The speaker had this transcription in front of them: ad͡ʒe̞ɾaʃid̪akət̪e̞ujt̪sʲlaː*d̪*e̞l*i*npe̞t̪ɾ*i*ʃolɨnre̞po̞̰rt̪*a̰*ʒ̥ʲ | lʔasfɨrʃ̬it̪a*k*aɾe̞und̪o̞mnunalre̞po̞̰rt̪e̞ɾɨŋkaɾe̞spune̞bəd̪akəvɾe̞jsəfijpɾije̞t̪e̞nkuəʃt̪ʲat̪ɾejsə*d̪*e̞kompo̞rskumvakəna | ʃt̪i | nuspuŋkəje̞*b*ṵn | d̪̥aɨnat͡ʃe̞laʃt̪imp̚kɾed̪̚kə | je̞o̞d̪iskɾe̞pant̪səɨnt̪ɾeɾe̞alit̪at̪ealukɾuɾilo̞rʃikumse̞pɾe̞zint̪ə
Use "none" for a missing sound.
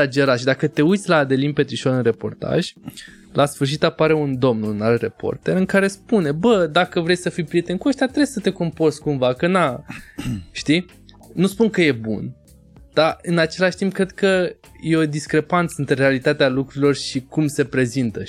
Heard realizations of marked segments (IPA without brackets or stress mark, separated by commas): d̪, i, i, a̰, p, t̪, b